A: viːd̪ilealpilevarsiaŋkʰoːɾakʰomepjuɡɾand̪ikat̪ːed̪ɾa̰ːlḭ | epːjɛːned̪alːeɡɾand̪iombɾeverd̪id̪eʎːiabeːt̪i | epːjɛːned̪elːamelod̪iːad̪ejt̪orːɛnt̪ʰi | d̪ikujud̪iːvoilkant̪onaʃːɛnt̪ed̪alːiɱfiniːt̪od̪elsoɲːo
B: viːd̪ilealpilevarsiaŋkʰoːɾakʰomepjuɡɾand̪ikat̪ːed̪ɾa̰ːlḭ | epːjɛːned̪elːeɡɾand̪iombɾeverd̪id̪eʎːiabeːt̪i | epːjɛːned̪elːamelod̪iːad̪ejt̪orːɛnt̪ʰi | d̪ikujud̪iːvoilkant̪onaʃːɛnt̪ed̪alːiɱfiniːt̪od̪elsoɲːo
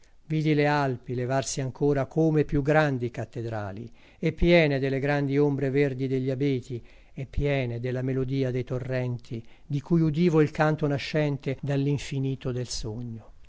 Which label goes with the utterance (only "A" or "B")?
B